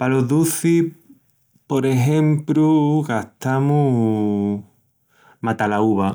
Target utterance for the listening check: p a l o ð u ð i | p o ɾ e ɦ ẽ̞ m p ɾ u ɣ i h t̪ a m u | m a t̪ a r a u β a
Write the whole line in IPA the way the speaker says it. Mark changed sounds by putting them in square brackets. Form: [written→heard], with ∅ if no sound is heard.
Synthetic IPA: p a l o ð u [ð→θ] i | p o ɾ e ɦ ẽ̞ m p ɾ u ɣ [i→a] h t̪ a m u | m a t̪ a [r→l] a u β a